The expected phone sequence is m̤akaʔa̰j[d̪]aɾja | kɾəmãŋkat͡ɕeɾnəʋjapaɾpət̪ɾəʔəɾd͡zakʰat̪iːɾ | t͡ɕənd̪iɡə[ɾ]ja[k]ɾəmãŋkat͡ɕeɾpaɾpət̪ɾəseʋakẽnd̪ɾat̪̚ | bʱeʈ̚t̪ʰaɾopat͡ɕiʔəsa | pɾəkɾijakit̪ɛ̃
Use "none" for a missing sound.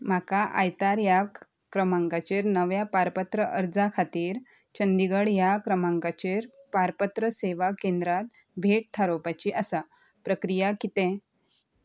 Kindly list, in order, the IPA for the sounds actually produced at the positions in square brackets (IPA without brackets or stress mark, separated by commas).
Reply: t̪, ɽ, k